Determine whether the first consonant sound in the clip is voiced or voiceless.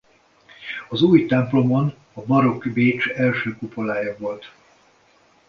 voiced